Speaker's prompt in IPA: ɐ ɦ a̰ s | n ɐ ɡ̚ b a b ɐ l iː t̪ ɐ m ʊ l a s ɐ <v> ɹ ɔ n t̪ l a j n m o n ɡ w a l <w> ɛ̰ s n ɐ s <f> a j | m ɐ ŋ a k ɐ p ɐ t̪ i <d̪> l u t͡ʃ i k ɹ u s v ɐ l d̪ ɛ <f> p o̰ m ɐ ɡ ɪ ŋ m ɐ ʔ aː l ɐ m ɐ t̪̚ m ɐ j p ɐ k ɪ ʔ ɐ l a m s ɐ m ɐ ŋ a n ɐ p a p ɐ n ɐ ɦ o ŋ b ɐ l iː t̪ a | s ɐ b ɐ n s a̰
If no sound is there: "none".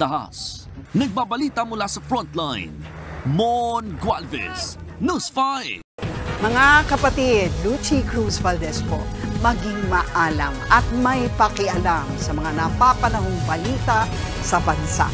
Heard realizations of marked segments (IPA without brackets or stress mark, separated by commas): f, v, f, d̪, s